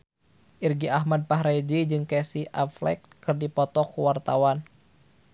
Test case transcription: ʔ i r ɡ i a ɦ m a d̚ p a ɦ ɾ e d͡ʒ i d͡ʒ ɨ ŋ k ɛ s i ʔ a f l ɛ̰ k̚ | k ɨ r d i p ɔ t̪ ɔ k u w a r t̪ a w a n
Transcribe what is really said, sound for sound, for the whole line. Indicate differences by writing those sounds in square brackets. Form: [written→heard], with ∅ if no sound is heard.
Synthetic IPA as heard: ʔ i r ɡ i a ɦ m a d̚ p a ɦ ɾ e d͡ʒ i d͡ʒ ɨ ŋ k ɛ s i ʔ a f l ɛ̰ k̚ | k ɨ r d i p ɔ t̪ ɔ k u w a r t̪ a w a n